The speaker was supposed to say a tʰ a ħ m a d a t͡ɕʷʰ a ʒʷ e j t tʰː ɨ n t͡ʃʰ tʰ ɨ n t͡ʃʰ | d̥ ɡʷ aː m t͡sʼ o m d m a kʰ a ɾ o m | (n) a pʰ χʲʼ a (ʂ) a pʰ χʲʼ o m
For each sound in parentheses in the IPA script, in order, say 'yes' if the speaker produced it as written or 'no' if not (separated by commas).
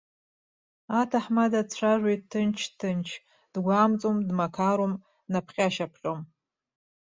yes, no